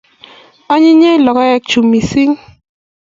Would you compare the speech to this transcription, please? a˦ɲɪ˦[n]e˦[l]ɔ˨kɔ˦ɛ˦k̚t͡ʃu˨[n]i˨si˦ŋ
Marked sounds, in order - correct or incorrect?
incorrect: ɲ, correct, incorrect: m

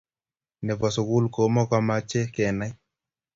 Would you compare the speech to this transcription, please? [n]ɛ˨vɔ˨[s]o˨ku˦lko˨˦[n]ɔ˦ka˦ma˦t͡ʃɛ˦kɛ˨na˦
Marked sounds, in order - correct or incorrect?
correct, correct, incorrect: m

